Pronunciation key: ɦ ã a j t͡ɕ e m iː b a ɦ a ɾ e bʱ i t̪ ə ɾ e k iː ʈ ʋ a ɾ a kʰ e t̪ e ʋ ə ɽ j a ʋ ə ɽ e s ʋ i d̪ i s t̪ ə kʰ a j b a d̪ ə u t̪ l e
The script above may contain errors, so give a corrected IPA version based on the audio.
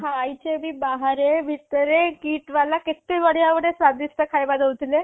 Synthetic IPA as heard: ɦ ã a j t͡ɕ e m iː b a ɦ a ɾ e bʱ i t̪ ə ɾ e k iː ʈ ʋ a l a k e t̪ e ʋ ə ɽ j a ʋ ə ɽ e s ʋ a d̪ i s t̪ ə kʰ a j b a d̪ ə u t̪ l e